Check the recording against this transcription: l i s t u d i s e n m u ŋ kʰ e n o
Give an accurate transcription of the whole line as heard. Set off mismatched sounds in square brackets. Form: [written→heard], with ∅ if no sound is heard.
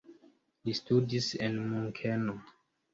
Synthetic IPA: l i s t u d i s e n m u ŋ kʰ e n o